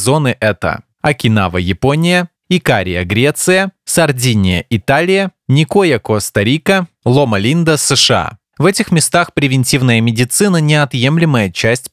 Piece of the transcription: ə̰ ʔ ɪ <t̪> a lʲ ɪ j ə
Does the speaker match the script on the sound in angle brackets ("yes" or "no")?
yes